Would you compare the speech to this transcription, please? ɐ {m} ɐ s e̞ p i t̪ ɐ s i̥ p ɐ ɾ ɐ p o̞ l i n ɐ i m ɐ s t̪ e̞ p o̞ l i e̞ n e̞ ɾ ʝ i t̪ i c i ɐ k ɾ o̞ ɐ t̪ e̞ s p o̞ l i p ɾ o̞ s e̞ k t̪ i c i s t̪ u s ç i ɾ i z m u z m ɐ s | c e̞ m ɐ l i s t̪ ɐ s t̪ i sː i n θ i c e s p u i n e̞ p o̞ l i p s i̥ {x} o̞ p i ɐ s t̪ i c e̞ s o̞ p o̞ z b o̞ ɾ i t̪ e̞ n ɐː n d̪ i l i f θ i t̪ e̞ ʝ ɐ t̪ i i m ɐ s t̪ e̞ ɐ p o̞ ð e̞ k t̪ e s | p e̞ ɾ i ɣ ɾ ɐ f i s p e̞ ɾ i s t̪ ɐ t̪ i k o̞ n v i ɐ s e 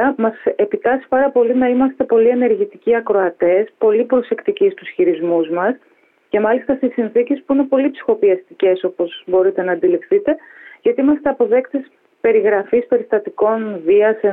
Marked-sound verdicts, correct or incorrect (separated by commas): correct, correct